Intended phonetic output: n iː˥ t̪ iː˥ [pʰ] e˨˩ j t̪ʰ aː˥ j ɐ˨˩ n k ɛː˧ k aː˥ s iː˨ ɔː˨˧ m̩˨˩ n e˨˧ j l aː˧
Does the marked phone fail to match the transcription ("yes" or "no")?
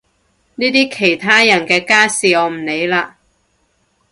yes